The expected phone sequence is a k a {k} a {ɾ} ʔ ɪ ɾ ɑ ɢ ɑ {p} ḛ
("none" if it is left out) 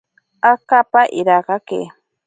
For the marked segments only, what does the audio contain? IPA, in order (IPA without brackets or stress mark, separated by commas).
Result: p, none, k